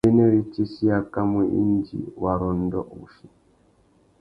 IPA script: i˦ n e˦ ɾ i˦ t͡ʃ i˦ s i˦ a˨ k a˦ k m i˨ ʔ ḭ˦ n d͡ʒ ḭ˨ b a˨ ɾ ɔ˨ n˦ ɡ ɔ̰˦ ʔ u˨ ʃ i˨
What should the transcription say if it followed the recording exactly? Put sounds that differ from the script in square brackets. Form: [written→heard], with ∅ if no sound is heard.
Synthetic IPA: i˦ n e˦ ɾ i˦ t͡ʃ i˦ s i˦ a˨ k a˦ [k→∅] m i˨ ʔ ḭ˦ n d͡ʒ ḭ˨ [b→w] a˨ ɾ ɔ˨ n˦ [ɡ→d] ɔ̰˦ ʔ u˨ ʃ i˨